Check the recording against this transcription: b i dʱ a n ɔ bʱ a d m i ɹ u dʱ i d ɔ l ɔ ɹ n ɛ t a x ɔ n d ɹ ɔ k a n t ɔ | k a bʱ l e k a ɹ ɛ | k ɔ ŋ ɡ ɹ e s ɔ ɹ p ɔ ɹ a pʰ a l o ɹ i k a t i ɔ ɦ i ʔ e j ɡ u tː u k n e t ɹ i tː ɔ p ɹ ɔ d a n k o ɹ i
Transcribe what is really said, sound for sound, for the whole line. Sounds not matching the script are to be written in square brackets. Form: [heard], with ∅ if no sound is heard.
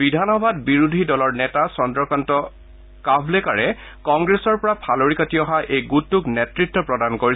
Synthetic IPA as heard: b i dʱ a n ɔ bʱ a d [b] i ɹ u dʱ i d ɔ l ɔ ɹ n ɛ t a [s] ɔ n d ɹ ɔ k a n t ɔ | k a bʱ l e k a ɹ ɛ | k ɔ ŋ ɡ ɹ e s ɔ ɹ p ɔ ɹ a pʰ a l o ɹ i k a t i ɔ ɦ [a] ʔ e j ɡ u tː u k n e t ɹ i tː ɔ p ɹ ɔ d a n k o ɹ i